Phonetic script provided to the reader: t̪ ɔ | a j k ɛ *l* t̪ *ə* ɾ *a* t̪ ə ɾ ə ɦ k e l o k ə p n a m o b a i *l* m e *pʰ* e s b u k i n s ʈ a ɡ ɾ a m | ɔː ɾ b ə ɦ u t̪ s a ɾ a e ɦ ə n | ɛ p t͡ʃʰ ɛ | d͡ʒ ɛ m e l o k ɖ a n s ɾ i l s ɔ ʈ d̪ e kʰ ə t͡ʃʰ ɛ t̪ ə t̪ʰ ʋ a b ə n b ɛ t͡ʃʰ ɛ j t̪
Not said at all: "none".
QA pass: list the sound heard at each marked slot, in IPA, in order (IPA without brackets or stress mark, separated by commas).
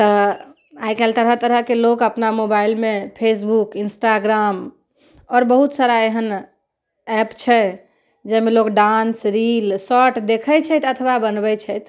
l, ə, ə, l, pʰ